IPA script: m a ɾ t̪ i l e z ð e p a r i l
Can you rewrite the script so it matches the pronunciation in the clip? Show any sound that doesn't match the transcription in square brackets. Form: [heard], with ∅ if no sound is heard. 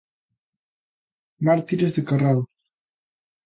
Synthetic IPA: m a ɾ t̪ i [ɾ] e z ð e [k] a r [a] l

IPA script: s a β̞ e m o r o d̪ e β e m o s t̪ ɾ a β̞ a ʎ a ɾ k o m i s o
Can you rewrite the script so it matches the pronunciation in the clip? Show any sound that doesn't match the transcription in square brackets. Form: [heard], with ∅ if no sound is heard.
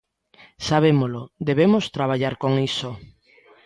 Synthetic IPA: s a β̞ e m o [l] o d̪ e β e m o s t̪ ɾ a β̞ a ʎ a ɾ k o [ŋ] i s o

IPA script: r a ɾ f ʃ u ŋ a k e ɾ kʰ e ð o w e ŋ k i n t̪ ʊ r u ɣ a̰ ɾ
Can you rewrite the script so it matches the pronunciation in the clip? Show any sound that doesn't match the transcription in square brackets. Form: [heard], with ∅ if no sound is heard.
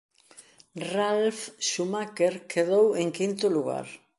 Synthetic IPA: r a [l] f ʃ u [m] a k e ɾ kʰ e ð o w e ŋ k i n t̪ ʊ [l] u ɣ a̰ ɾ

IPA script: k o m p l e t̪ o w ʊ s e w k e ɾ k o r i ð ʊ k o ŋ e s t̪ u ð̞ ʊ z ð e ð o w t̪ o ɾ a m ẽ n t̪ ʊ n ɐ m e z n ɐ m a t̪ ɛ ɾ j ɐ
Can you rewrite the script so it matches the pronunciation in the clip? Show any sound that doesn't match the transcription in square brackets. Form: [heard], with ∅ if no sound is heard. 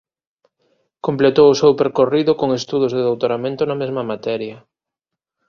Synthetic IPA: k o m p l e t̪ o w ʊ s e w [p] e ɾ k o r i ð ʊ k o ŋ e s t̪ u ð̞ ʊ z ð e ð o w t̪ o ɾ a m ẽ n t̪ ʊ n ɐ m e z [m] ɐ m a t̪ ɛ ɾ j ɐ

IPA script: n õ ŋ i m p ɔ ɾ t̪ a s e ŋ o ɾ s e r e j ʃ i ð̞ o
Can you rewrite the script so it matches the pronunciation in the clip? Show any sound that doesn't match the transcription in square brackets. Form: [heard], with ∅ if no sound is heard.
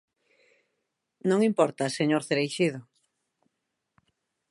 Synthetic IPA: n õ ŋ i m p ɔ ɾ t̪ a s e [ɲ] o ɾ [θ] e [ɾ] e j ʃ i ð̞ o

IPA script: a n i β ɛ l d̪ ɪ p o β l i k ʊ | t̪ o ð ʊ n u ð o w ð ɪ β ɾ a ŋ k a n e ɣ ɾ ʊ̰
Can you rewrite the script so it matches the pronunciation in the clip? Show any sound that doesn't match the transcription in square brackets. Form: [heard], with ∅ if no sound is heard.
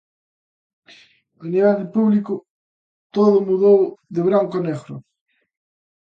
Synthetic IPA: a n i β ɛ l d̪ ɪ p [u] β l i k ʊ | t̪ o ð ʊ [m] u ð o w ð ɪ β ɾ a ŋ k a n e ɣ ɾ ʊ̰

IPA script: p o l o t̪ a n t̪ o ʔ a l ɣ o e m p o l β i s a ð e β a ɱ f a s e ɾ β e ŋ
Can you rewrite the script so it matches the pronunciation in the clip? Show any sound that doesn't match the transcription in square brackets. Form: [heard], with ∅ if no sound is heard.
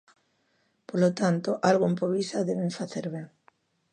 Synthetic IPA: p o l o t̪ a n t̪ o ʔ a l ɣ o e m p o [∅] β i s a ð e β [e] ɱ f a [θ] e ɾ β e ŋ

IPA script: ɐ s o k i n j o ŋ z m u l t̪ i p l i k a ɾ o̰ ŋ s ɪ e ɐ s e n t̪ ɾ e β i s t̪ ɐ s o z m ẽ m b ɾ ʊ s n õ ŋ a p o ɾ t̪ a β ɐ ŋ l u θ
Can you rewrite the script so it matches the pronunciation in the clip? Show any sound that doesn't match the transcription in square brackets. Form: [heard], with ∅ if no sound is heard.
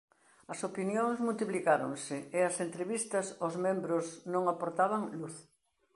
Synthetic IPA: ɐ s o [p] i n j o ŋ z m u l t̪ i p l i k a ɾ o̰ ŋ s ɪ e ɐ s e n t̪ ɾ e β i s t̪ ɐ s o z m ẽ m b ɾ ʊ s n õ ŋ a p o ɾ t̪ a β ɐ ŋ l u θ

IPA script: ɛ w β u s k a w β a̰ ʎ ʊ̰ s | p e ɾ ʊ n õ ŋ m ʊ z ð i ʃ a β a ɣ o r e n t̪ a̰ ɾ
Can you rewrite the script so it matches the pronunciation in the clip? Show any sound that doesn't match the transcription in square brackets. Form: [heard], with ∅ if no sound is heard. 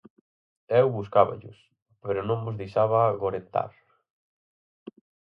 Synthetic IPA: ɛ w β u s k a [∅] β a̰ ʎ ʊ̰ s | p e ɾ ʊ n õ ŋ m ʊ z ð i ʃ a β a ɣ o [ɾ] e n t̪ a̰ ɾ

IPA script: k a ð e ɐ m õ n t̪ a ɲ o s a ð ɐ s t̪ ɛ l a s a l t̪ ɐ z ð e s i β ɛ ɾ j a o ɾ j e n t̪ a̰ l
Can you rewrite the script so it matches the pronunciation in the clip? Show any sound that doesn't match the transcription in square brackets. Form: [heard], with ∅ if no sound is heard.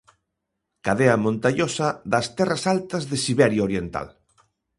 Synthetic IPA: k a ð e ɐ m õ n t̪ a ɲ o s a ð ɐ s t̪ ɛ [r] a s a l t̪ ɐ z ð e s i β ɛ ɾ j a o ɾ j e n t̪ a̰ l

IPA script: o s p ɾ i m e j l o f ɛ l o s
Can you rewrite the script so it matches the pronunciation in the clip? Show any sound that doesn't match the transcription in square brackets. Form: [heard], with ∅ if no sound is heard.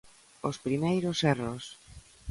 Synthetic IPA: o s p ɾ i m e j [ɾ] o [s] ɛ [r] o s

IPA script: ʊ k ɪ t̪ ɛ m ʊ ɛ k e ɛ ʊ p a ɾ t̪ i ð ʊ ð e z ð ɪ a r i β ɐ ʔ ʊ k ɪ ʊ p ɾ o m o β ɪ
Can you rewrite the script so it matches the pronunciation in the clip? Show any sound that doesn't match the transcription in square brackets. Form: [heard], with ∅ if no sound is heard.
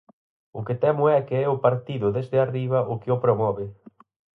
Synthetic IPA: ʊ k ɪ t̪ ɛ m ʊ ɛ k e ɛ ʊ p a ɾ t̪ i ð ʊ ð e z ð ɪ a r i β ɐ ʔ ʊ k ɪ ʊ p ɾ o m [ɔ] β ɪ

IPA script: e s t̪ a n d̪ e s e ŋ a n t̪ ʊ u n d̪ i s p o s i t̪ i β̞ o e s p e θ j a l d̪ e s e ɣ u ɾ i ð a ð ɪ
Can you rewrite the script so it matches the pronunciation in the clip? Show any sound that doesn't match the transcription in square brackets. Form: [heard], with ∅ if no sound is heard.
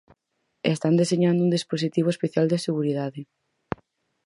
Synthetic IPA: e s t̪ a n d̪ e s e [ɲ] a n [d̪] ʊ u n d̪ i s p o s i t̪ i β̞ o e s p e θ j a l d̪ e s e ɣ u ɾ i ð a ð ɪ

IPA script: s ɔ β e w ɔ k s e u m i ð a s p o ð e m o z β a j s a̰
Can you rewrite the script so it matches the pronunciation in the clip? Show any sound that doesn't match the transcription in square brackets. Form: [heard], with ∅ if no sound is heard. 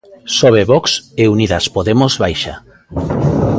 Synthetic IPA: s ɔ β e [β] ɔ k s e u [n] i ð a s p o ð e m o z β a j [ʃ] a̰

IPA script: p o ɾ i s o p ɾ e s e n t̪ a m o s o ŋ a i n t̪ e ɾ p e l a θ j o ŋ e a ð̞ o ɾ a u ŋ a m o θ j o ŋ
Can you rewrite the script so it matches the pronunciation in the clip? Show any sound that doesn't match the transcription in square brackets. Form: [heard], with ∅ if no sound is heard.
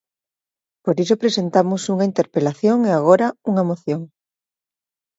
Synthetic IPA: p o ɾ i s o p ɾ e s e n t̪ a m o s [u] ŋ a i n t̪ e ɾ p e l a θ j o ŋ e a [ɣ̞] o ɾ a u ŋ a m o θ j o ŋ

